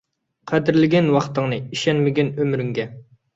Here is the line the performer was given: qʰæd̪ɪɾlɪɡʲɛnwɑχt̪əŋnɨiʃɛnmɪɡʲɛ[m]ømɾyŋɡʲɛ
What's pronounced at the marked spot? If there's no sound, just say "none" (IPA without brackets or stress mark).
n